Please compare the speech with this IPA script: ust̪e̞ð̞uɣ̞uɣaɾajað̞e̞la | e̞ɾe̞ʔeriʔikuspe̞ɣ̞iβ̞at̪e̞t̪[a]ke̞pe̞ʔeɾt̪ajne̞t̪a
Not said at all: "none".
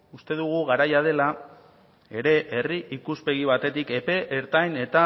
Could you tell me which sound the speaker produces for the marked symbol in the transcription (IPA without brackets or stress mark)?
i